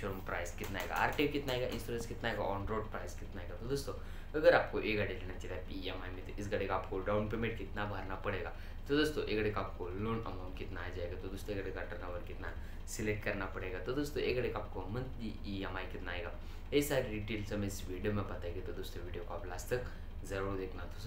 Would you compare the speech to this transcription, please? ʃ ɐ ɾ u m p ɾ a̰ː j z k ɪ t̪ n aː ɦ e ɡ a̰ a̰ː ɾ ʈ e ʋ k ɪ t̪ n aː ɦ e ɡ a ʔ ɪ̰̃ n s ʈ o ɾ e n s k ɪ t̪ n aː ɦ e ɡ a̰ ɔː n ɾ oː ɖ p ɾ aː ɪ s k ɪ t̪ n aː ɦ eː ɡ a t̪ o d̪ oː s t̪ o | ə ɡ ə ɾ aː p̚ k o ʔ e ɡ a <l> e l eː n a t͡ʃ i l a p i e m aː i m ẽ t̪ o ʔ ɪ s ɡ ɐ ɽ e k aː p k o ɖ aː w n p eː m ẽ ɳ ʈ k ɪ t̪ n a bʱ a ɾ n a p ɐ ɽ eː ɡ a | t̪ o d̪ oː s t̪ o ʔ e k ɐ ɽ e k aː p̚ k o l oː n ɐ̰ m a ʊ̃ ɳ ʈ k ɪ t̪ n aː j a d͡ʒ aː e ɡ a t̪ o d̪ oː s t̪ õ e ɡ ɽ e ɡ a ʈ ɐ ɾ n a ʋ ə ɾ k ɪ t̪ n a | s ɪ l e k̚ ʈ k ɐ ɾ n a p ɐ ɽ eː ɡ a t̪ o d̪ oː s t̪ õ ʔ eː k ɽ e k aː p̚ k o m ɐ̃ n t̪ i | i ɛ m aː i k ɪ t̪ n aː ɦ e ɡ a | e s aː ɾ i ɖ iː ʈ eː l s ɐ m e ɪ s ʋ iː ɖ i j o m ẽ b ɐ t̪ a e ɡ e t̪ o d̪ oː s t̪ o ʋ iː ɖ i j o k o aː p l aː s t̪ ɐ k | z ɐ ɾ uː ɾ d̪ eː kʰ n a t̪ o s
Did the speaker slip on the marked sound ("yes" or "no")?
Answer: yes